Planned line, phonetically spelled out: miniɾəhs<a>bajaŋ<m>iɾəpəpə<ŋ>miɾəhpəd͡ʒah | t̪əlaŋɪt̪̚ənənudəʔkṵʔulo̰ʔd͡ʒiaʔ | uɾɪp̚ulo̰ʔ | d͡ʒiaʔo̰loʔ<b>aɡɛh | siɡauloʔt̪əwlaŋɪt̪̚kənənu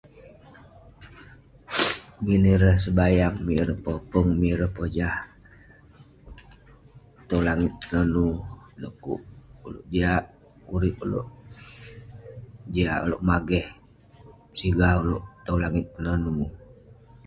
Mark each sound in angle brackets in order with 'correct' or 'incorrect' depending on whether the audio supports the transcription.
incorrect: ə, correct, correct, incorrect: m

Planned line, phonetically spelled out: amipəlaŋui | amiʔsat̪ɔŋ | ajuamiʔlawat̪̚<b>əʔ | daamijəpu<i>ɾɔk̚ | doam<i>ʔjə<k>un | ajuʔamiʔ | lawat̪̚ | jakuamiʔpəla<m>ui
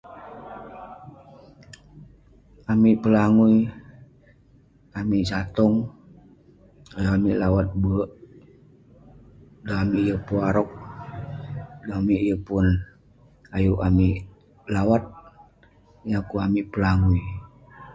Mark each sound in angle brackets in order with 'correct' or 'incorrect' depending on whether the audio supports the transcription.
correct, incorrect: a, correct, incorrect: p, incorrect: ŋ

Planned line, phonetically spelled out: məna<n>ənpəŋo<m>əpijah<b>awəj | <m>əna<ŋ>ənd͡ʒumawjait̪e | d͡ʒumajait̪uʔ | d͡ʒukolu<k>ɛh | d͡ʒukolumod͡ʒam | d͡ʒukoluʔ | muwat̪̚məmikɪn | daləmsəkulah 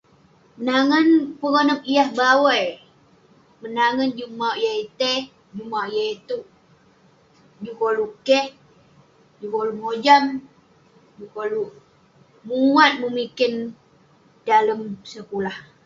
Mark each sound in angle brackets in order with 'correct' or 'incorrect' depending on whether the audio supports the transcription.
incorrect: ŋ, incorrect: n, correct, correct, correct, correct

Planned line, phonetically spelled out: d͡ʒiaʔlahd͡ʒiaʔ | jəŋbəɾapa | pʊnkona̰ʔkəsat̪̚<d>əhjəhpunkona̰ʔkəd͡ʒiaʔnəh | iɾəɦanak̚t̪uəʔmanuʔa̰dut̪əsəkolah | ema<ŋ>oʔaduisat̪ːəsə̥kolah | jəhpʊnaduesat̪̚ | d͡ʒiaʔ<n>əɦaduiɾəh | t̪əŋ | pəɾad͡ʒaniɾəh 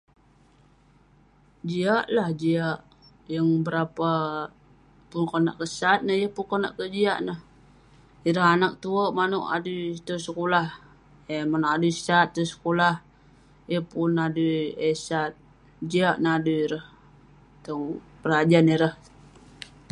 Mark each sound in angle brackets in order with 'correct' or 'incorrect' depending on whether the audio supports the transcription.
incorrect: n, incorrect: n, correct

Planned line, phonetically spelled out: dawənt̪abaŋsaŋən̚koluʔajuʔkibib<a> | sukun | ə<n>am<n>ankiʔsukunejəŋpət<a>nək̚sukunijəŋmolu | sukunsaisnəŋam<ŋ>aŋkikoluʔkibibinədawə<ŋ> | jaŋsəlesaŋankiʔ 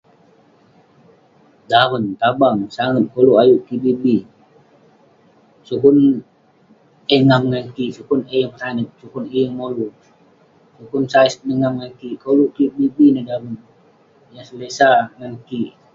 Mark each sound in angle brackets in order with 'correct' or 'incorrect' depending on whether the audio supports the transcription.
incorrect: i, incorrect: ŋ, incorrect: ŋ, correct, correct, incorrect: n

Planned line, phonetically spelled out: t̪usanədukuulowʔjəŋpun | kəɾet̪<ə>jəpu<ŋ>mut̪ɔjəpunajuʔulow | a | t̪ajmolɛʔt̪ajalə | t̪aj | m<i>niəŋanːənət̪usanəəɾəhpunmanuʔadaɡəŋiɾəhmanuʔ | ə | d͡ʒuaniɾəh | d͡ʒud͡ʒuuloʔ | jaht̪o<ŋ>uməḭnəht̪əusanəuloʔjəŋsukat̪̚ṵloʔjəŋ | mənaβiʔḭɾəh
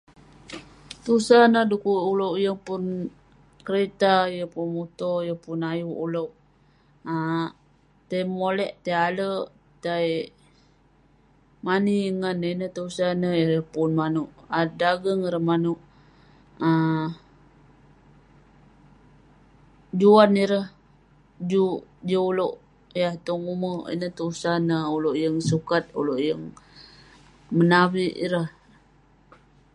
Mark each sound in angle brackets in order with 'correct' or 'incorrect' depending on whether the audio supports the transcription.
incorrect: a, incorrect: n, incorrect: a, correct

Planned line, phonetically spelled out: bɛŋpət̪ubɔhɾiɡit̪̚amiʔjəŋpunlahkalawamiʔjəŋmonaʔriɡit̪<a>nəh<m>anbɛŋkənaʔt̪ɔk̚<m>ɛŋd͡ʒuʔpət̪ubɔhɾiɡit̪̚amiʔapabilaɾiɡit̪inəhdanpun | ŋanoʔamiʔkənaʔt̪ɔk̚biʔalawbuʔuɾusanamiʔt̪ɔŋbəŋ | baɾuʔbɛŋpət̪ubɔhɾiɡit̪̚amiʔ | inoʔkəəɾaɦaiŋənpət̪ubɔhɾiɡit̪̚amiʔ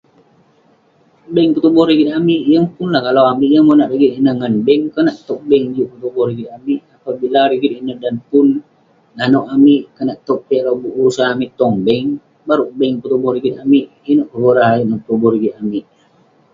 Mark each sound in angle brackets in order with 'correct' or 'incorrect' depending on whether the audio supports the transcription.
incorrect: i, incorrect: ŋ, incorrect: b

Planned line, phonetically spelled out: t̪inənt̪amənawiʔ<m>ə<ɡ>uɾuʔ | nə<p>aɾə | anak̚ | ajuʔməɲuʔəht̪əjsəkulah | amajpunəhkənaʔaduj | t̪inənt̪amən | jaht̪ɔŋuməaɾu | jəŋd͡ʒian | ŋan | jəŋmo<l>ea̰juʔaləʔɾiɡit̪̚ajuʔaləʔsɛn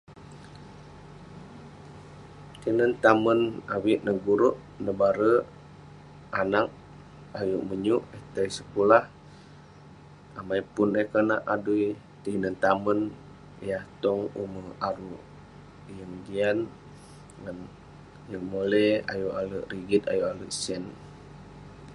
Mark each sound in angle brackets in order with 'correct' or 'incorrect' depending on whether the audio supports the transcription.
incorrect: n, correct, incorrect: b, correct

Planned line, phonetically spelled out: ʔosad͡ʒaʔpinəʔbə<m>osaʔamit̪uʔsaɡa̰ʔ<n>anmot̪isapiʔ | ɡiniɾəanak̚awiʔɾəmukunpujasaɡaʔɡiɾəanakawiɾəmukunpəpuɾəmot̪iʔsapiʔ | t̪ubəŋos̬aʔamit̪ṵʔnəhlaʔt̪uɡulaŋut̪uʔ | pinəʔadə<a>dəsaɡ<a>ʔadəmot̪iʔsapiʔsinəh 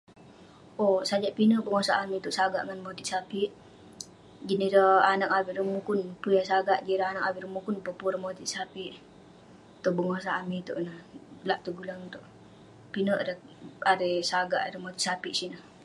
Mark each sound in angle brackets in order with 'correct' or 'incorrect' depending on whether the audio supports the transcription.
incorrect: ŋ, incorrect: ŋ, correct, correct

